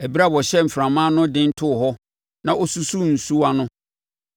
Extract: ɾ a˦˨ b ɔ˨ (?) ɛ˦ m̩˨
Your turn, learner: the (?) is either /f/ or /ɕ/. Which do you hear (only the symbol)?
ɕ